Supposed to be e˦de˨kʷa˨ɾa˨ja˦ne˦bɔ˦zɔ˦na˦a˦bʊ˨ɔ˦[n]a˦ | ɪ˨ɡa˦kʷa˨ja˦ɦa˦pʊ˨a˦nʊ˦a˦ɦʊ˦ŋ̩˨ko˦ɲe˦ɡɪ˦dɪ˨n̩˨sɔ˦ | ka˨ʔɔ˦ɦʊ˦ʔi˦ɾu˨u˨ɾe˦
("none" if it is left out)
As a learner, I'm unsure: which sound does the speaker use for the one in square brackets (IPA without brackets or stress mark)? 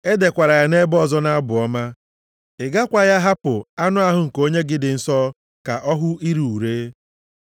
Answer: m